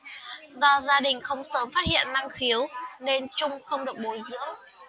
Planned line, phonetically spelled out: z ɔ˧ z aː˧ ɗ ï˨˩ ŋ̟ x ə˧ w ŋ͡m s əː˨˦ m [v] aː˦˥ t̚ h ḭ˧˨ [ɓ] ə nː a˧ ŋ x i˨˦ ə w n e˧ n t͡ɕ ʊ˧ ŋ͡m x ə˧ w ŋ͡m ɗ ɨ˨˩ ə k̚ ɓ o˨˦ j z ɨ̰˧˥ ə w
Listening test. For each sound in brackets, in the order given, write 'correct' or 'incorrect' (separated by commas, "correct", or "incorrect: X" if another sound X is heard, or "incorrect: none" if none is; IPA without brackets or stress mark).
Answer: incorrect: f, incorrect: none